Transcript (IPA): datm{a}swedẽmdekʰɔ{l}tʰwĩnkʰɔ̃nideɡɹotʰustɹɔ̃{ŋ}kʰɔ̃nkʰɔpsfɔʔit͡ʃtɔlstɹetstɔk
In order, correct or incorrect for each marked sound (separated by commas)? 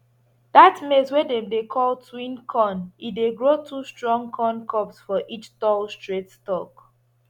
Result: incorrect, correct, correct